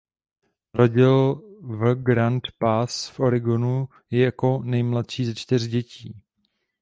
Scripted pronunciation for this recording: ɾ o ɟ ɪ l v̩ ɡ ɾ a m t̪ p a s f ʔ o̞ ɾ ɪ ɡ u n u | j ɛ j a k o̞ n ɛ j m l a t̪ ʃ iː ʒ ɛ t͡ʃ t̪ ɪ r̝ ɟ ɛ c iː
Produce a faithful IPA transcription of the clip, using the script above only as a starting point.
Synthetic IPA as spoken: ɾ o ɟ ɪ l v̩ ɡ ɾ a n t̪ p a s f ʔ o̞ ɾ ɪ ɡ o n u | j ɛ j a k o̞ n ɛ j m l a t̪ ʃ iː z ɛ t͡ʃ t̪ ɪ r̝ ɟ ɛ c iː